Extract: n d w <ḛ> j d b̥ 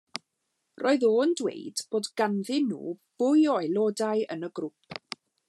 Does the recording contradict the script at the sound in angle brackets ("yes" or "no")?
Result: no